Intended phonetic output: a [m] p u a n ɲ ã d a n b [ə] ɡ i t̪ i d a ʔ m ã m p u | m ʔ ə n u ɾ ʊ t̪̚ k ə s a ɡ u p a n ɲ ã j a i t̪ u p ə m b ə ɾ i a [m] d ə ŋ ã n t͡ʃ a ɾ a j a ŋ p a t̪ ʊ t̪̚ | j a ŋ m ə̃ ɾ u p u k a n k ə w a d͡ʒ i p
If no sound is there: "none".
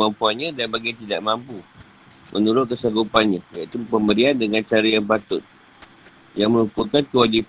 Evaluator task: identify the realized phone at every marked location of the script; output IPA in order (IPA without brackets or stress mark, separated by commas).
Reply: m, a, n